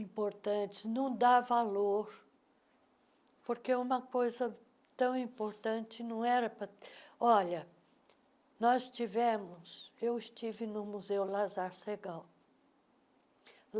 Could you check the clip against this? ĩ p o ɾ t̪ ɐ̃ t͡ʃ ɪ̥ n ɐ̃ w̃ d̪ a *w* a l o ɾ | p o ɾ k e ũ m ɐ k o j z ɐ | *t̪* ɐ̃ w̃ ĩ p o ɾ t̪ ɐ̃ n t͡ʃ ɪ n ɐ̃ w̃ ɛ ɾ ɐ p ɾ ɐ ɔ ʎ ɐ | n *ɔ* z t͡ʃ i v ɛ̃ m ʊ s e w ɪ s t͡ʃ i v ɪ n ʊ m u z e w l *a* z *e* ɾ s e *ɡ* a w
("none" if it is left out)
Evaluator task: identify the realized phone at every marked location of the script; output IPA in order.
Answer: v, t̪, ɔ, a, a, ɡ

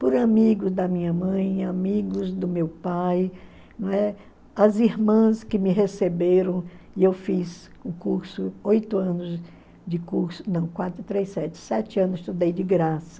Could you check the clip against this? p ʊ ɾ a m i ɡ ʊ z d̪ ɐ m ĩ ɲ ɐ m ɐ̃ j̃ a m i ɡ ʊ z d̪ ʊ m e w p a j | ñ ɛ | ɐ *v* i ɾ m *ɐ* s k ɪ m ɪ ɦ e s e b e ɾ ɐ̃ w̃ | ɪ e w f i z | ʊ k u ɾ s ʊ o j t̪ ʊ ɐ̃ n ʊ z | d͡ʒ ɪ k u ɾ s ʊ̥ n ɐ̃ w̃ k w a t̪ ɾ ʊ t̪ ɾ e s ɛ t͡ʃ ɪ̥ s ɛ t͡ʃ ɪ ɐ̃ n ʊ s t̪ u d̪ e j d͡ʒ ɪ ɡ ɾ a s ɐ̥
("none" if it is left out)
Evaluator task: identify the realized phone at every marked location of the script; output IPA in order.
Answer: z, ɐ̃

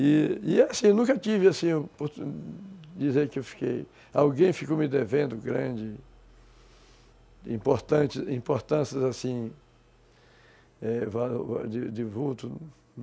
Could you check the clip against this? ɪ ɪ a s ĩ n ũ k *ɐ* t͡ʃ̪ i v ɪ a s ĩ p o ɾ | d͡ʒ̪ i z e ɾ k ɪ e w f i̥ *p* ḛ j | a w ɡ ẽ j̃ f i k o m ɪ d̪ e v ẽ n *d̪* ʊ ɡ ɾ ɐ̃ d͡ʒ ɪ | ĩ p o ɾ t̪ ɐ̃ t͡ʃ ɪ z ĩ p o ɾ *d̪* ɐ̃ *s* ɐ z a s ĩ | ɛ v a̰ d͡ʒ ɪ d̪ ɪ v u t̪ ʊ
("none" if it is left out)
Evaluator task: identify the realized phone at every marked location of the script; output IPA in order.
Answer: ɐ, k, d̪, t̪, s

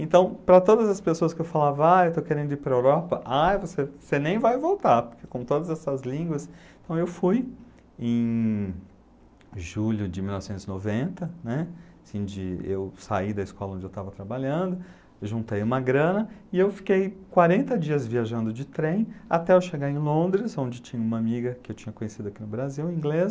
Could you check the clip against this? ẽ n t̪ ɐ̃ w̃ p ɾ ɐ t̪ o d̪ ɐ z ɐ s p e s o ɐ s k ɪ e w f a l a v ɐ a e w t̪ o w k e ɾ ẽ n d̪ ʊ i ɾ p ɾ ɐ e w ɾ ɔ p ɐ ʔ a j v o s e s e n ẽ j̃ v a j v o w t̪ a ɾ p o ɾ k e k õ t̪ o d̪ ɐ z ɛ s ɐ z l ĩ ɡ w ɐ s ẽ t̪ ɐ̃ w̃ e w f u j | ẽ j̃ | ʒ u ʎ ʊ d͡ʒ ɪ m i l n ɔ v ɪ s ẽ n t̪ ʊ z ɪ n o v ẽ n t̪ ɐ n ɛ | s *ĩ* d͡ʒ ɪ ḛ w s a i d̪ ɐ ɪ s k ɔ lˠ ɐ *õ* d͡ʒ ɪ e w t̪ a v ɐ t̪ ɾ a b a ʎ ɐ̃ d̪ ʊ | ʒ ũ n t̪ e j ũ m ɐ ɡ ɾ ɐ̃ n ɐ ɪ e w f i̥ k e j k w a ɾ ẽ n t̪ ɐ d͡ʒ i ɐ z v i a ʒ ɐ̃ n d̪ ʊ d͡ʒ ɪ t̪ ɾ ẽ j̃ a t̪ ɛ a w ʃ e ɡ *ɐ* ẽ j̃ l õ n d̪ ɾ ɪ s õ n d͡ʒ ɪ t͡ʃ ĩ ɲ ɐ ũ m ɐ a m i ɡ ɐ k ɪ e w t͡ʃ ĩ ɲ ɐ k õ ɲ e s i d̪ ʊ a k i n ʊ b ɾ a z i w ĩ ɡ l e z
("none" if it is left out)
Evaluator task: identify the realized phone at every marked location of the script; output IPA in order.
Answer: ĩ, õ, a

